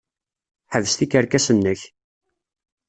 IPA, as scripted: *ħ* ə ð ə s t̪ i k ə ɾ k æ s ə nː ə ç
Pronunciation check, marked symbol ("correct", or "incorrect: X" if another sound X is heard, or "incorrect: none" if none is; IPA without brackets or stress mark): correct